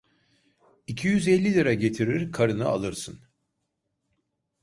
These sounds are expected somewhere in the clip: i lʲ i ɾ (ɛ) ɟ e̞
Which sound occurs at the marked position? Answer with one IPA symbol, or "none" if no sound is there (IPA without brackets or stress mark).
a